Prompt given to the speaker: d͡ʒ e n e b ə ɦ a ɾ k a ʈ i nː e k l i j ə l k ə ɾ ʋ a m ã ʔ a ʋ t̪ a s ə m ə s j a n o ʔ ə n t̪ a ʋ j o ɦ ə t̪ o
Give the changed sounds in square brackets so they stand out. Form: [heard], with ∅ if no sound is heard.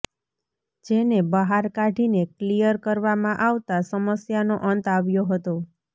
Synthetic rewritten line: d͡ʒ e n e b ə ɦ a ɾ k a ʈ i [n] e k l i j ə [ɾ] k ə ɾ ʋ a m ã ʔ a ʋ t̪ a s ə m ə s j a n o ʔ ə n t̪ a ʋ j o ɦ ə t̪ o